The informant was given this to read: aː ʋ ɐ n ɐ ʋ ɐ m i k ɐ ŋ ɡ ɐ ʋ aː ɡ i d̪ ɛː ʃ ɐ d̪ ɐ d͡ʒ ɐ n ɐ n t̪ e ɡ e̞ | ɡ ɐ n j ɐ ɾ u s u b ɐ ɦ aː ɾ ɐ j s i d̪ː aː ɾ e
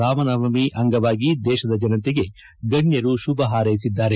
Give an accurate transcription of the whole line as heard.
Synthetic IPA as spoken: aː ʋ ɐ n ɐ ʋ ɐ m i ʔ ɐ ŋ ɡ ɐ ʋ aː ɡ i d̪ ɛː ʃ ɐ d̪ ɐ d͡ʒ ɐ n ɐ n t̪ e ɡ e̞ | ɡ ɐ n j ɐ ɾ u ʃ u b ɐ ɦ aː ɾ ɐ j s i d̪ː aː ɾ e